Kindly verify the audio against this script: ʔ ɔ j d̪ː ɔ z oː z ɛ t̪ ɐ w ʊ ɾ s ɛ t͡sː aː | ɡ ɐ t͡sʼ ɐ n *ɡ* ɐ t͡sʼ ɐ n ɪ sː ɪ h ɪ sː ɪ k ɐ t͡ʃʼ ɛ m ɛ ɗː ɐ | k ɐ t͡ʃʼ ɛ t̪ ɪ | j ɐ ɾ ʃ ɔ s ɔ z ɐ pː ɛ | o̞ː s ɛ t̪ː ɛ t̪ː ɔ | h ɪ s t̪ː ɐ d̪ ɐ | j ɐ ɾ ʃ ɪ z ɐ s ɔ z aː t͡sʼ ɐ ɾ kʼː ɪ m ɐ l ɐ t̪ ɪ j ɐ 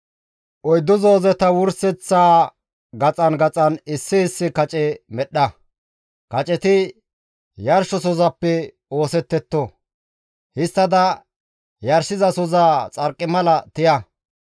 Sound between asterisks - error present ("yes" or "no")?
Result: no